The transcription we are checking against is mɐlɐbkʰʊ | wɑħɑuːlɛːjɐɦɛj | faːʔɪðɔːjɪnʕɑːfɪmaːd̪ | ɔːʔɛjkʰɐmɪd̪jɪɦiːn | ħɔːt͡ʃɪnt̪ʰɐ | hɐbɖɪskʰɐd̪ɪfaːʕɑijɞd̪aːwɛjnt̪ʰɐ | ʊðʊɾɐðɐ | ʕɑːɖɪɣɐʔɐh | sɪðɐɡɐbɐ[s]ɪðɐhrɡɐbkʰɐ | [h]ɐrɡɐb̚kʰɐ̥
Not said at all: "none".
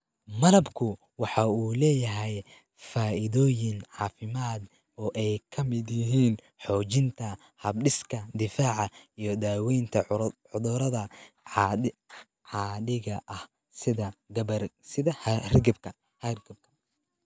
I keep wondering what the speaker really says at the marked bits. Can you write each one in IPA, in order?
s, h

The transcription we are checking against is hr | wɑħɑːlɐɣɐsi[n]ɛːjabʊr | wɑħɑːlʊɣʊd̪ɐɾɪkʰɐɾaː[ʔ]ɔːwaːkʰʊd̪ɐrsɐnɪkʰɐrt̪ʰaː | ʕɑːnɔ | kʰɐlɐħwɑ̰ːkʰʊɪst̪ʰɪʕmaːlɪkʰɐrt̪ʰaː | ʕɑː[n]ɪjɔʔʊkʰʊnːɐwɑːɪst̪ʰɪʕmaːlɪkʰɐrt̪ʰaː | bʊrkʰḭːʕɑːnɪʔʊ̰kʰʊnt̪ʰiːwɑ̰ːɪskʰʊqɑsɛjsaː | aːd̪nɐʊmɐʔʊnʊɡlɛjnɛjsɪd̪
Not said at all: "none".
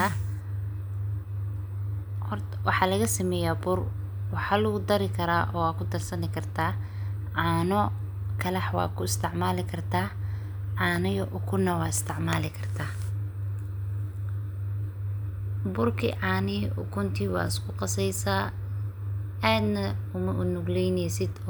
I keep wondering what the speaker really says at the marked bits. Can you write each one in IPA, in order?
m, ʔ, n

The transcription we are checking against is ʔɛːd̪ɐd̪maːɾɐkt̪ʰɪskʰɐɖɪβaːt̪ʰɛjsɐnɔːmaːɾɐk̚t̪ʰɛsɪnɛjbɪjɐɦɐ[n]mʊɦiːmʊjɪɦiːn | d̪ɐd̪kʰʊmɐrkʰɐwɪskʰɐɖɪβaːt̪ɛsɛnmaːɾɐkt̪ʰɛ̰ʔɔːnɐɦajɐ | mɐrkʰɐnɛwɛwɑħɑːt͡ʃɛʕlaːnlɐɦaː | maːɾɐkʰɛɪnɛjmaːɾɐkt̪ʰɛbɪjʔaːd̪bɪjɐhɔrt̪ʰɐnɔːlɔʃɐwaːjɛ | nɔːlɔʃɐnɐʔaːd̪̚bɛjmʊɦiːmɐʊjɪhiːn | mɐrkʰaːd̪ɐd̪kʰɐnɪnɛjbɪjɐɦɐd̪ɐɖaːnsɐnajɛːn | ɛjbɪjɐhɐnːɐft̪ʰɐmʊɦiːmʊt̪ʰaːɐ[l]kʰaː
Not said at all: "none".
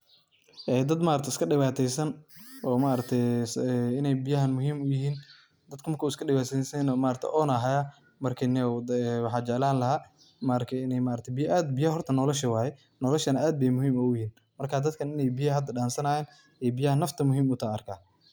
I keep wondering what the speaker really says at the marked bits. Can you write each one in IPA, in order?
n, r

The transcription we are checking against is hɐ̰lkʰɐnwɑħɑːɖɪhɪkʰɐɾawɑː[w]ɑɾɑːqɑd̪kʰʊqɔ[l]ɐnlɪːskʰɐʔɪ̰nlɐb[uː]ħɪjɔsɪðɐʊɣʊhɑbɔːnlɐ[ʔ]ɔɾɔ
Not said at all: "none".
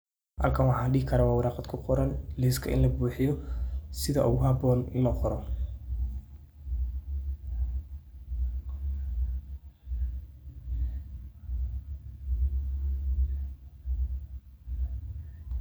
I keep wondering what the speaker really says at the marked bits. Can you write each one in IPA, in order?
w, ɾ, uː, q

